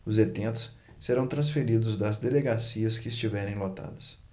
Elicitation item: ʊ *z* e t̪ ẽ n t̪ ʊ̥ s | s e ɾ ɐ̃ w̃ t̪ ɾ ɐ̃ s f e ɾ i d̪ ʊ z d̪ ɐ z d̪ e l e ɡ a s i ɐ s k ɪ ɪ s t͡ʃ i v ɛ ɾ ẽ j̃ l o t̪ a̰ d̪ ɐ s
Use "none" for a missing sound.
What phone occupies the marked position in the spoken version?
z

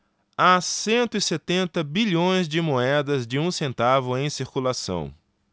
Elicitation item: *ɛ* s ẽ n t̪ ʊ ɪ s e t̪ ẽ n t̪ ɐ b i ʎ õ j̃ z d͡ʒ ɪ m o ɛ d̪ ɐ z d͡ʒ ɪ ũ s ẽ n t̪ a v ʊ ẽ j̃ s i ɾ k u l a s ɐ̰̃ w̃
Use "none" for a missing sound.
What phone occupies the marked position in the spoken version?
a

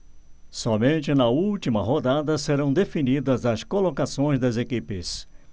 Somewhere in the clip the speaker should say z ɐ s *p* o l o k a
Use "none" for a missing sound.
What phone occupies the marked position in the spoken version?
k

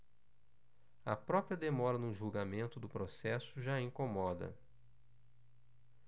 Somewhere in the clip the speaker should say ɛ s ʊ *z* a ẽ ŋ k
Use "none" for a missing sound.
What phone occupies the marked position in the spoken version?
ʒ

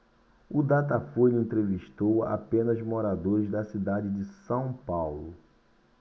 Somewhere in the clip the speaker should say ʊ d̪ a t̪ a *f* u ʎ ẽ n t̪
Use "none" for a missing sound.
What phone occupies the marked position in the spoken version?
f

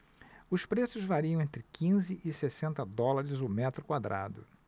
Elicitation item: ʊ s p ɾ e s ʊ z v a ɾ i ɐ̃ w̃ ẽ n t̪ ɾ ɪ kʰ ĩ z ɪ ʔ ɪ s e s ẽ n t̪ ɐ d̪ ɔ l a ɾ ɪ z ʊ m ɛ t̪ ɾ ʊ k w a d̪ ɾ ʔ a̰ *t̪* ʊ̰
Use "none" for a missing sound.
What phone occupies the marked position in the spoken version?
d̪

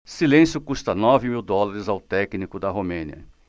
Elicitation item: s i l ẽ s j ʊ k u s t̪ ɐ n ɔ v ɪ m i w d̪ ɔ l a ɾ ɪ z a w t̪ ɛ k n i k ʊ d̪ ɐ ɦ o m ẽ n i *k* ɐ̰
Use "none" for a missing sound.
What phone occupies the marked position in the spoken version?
none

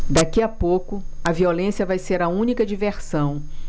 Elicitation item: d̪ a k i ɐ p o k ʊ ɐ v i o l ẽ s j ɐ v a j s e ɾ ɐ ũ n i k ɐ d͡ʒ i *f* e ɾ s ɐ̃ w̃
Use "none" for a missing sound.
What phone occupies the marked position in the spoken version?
v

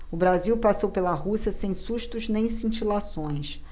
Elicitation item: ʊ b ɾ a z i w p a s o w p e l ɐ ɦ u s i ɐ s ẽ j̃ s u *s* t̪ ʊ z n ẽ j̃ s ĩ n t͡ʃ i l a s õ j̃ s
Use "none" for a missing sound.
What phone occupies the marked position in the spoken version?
ʃ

